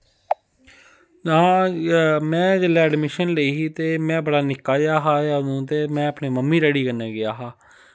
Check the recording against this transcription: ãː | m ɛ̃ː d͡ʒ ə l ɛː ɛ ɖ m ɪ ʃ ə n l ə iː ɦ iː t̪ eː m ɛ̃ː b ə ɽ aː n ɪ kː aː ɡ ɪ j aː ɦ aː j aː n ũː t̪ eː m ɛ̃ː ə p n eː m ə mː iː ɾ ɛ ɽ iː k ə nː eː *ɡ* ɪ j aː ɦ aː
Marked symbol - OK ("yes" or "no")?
yes